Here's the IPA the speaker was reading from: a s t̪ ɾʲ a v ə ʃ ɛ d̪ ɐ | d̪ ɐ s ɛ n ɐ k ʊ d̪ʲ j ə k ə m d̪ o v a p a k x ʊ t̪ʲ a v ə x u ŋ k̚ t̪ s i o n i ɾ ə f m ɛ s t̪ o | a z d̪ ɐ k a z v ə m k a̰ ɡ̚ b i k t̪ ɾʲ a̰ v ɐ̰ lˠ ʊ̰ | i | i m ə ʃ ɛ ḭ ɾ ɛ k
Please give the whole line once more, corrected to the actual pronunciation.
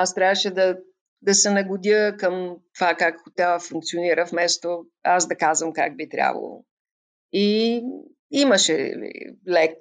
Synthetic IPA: a s t̪ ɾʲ a v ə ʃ ɛ d̪ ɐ | d̪ ɐ s ɛ n ɐ ɡ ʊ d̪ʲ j ə k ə m t̪ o v a k a k x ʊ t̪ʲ a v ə f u ŋ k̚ t̪ s i o n i ɾ ə f m ɛ s t̪ o | a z d̪ ɐ k a z v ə m k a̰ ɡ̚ b i t̪ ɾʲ a̰ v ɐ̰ lˠ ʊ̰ | i | i m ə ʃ ɛ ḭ l ɛ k